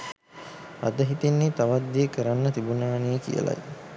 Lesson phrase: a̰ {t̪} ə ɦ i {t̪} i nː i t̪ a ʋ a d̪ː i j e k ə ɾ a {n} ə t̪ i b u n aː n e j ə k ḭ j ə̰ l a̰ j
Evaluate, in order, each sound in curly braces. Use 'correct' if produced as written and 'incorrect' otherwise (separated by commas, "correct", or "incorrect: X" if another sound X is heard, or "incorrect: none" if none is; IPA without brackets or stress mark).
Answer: incorrect: d̪, correct, incorrect: nː